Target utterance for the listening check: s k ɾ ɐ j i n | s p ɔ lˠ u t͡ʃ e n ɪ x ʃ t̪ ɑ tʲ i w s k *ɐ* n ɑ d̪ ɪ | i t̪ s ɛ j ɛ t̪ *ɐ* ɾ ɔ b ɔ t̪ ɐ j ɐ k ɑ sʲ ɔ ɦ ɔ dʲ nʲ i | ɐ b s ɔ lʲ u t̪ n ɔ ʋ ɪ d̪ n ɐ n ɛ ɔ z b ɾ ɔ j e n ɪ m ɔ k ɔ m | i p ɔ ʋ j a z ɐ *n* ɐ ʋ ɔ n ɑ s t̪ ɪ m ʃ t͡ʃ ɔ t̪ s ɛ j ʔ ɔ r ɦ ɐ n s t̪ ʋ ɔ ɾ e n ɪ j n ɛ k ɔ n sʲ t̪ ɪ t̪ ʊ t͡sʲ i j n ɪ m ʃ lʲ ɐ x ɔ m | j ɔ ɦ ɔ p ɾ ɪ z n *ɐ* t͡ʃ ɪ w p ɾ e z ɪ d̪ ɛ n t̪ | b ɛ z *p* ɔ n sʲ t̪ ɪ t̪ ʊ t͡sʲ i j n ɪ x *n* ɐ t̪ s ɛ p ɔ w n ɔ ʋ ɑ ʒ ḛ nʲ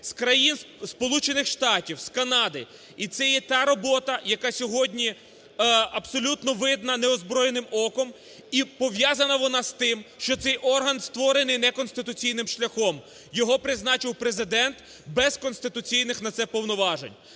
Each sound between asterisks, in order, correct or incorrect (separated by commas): correct, incorrect, correct, incorrect, incorrect, correct